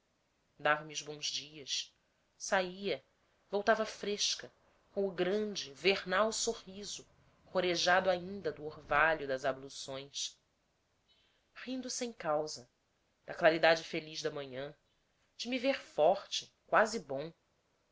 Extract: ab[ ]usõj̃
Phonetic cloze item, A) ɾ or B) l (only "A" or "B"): B